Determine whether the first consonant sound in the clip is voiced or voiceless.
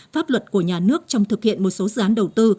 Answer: voiceless